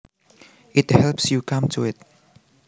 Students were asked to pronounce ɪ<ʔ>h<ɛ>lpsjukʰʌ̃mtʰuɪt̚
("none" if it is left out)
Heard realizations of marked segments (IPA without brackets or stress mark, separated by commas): t, ɛ